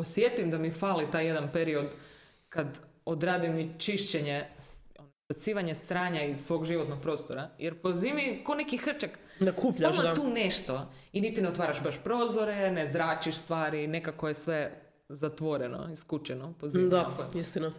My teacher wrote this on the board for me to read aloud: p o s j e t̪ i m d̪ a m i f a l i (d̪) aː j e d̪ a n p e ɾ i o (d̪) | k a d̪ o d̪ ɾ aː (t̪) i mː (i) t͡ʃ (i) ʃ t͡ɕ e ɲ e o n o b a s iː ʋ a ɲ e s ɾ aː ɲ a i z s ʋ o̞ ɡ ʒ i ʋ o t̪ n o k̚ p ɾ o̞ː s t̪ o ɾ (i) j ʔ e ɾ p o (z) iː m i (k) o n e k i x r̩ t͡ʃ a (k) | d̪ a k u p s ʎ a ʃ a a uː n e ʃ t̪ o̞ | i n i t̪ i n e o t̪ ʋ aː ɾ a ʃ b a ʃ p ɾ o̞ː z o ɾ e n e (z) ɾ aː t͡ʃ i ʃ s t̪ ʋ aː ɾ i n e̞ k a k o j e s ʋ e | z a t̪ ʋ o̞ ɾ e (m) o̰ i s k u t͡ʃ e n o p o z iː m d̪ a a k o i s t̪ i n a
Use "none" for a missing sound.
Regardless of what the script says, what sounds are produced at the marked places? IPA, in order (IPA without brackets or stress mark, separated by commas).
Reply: t̪, d̪, d̪, i, i, a, z, k, k, z, n